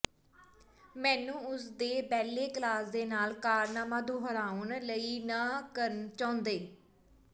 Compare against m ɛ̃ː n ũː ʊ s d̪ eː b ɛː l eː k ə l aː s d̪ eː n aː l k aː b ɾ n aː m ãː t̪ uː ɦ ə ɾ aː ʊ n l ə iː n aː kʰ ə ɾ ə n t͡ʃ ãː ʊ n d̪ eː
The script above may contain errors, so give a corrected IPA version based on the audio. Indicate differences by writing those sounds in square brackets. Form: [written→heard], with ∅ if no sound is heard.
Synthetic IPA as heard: m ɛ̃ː n ũː ʊ s d̪ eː b ɛː l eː k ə l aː s d̪ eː n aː l k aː [b→∅] ɾ n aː m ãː [t̪→d̪] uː ɦ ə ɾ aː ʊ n l ə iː n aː [kʰ→k] ə ɾ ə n t͡ʃ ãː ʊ n d̪ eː